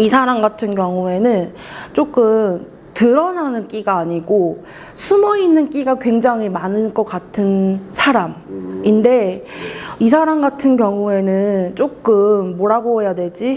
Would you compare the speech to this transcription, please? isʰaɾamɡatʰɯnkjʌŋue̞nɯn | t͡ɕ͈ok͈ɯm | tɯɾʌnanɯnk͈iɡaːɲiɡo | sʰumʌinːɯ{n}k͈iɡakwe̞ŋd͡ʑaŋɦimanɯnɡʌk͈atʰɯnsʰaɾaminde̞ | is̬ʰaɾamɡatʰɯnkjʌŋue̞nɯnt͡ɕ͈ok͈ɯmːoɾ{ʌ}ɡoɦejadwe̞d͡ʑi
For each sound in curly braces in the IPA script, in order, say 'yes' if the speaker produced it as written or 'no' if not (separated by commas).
yes, no